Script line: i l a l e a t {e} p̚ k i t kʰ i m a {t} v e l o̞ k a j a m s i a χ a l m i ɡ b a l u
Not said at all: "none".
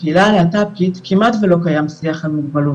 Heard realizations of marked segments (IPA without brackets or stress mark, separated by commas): a, t